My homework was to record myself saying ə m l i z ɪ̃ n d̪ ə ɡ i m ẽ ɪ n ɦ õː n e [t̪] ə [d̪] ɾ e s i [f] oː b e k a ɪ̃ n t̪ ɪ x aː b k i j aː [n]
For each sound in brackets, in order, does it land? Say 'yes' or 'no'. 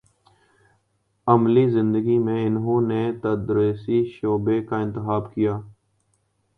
yes, yes, no, no

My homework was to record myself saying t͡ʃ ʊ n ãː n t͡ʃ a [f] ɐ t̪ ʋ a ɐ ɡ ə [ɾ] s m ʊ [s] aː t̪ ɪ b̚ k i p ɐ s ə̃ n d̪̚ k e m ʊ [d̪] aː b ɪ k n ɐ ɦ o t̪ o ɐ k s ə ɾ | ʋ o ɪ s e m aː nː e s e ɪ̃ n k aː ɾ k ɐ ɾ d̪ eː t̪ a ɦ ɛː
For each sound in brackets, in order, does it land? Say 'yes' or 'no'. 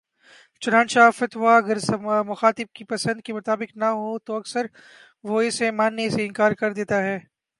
yes, yes, no, no

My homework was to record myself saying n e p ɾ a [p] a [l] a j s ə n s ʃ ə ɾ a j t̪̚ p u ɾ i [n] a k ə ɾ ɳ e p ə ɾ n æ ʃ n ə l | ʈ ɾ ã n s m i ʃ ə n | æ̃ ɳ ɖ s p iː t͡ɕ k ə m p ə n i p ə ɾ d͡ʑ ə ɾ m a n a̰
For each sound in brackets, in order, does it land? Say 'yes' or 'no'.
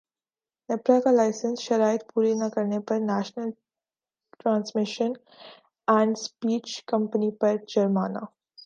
no, yes, yes

